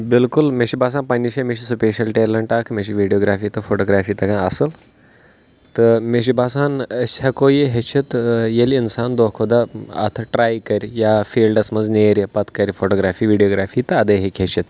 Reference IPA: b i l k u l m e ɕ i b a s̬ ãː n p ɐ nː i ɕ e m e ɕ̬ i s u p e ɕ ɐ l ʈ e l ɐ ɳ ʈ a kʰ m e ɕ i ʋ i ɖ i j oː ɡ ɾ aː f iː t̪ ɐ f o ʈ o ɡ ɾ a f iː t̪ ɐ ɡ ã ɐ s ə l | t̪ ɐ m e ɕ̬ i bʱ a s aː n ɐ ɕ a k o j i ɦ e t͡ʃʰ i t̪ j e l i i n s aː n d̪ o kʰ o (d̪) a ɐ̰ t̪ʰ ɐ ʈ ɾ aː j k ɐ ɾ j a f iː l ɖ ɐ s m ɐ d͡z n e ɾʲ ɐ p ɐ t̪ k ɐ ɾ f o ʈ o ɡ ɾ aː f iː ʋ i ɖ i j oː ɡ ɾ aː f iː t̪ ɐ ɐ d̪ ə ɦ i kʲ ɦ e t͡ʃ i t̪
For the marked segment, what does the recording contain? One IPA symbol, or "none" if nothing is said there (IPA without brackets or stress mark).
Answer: d̪